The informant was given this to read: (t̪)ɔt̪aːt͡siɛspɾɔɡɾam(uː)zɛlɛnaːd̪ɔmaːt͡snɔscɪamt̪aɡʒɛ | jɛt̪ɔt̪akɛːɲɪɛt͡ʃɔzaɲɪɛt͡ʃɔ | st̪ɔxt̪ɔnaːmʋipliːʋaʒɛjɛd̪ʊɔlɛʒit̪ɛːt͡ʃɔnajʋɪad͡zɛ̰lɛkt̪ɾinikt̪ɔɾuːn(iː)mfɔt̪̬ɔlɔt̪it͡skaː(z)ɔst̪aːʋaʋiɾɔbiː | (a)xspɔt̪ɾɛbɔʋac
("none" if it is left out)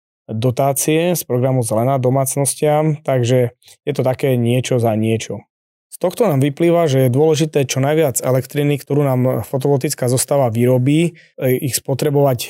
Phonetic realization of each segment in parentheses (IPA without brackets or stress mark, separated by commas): d̪, u, aː, z, i